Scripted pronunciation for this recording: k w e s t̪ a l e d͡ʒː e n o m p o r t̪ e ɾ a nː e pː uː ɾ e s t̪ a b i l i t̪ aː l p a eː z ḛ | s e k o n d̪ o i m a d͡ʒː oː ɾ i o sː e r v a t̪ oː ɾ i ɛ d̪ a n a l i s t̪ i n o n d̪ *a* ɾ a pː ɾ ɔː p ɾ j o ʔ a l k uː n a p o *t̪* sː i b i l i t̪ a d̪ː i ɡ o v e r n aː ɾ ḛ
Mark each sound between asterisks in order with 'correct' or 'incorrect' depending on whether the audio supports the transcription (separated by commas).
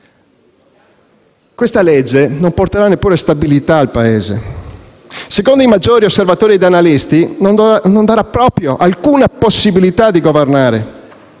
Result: correct, incorrect